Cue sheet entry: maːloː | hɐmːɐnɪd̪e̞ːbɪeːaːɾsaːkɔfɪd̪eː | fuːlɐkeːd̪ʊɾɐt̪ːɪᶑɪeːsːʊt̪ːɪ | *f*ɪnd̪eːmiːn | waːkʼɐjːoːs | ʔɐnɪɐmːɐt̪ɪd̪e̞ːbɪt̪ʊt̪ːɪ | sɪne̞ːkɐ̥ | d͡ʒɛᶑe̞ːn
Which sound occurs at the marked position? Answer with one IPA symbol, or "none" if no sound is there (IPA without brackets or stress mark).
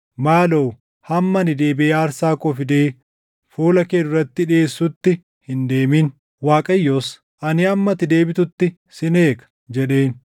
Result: h